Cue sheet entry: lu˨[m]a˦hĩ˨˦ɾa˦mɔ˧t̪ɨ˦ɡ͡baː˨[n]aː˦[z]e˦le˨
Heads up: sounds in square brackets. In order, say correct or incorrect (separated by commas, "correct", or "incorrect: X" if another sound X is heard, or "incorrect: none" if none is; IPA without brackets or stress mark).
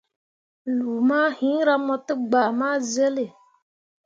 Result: correct, incorrect: m, correct